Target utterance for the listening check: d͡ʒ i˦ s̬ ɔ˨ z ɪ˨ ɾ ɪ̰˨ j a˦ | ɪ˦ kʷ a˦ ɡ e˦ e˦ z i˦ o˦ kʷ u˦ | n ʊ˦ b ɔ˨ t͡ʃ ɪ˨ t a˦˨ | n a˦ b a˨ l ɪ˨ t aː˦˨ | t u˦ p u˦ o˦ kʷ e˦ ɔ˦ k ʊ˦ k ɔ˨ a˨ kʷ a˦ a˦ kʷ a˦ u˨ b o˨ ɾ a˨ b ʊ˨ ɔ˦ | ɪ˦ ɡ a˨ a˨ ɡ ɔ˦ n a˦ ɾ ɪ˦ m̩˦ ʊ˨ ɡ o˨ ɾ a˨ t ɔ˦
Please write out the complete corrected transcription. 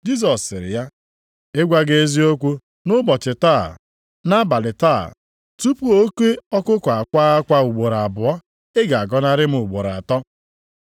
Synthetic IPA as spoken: d͡ʒ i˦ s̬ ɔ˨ s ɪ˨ ɾ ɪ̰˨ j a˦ | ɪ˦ ɡʷ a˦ ɡ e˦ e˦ z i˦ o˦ kʷ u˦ | n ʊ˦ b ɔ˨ t͡ʃ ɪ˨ t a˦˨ | n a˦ b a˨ l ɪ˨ t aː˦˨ | t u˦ p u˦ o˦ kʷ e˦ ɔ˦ k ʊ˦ k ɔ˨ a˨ kʷ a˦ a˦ kʷ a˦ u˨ ɡ͡b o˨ ɾ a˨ b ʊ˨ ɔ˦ | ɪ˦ ɡ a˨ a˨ ɡ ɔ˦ n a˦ ɾ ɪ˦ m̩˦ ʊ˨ ɡ͡b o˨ ɾ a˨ t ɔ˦

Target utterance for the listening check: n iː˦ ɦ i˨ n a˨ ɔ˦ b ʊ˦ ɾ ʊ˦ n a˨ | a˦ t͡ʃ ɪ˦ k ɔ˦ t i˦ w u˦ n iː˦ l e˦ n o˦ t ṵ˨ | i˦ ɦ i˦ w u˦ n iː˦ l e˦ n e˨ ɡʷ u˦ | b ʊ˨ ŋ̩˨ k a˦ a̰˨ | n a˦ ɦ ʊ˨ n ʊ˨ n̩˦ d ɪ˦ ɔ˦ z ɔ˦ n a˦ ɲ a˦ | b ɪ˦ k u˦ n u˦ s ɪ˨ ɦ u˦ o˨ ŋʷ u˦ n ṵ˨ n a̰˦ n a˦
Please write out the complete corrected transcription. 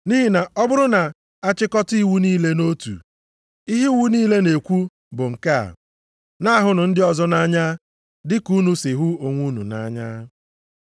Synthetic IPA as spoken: n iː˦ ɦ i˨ n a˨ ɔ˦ b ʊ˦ ɾ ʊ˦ n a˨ | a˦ t͡ʃ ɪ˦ k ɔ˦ t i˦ w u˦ n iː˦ l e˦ n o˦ t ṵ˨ | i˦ ɦ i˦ w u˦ n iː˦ l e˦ n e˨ kʷ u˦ | b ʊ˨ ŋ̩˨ k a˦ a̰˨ | n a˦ ɦ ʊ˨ n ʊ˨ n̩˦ d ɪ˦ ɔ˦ z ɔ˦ n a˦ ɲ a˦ | d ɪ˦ k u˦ n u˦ s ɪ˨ ɦ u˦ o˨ ŋʷ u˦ n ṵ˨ n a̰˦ ɲ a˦

